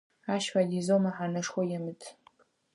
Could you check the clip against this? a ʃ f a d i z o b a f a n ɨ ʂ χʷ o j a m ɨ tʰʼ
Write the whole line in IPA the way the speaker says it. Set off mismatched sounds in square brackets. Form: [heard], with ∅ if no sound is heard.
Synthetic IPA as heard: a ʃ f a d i z o [m] a [ħ] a n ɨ ʂ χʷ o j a m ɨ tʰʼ